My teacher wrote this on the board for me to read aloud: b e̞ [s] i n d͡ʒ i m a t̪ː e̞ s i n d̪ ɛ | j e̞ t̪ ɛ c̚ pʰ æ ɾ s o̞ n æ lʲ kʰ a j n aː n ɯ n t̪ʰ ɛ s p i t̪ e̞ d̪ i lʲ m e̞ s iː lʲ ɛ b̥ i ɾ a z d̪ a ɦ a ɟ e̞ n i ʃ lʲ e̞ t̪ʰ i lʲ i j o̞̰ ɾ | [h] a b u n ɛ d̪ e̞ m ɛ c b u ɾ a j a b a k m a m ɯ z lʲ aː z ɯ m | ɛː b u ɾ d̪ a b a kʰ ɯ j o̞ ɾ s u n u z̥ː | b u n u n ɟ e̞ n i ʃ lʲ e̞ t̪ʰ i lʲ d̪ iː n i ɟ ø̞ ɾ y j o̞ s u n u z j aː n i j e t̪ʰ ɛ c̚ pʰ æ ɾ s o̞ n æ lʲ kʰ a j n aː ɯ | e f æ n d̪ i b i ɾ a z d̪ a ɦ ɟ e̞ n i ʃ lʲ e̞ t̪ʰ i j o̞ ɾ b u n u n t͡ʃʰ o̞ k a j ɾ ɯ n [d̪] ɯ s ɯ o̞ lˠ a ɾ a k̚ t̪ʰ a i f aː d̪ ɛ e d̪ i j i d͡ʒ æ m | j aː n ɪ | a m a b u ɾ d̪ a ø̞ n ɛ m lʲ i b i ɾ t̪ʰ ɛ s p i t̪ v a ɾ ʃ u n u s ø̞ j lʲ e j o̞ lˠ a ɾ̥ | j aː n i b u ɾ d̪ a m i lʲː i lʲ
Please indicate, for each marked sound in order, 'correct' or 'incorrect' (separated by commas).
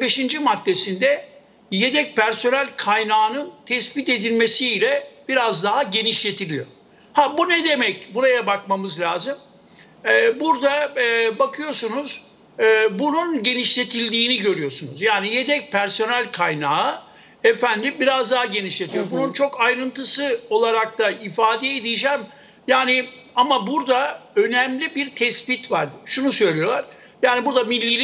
incorrect, correct, incorrect